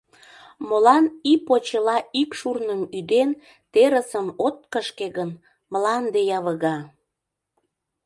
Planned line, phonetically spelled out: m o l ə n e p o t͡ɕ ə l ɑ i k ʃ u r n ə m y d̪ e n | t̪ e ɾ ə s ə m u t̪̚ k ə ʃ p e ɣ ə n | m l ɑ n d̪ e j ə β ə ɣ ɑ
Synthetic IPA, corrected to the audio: m o l ɑ n i p o t͡ɕ ə l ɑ i k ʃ u r n ə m y d̪ e n | t̪ e ɾ ə s ə m o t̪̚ k ə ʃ k e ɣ ə n | m l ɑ n d̪ e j ɑ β ə ɣ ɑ